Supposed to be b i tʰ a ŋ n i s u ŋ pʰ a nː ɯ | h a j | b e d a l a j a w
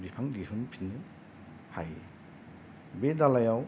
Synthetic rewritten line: b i pʰ a ŋ d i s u n pʰ i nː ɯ | h a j | b e d a l a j a w